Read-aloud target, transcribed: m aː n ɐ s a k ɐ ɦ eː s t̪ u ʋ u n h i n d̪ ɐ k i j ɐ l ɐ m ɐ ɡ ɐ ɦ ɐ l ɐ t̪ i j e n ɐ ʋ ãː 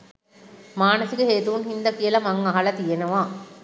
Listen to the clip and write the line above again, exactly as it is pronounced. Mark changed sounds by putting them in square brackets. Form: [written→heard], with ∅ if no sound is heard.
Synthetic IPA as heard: m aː n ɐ s [a→i] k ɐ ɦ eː [s→∅] t̪ u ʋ u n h i n d̪ ɐ k i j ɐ l ɐ m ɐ [ɡ→ŋ] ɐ ɦ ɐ l ɐ t̪ i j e n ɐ ʋ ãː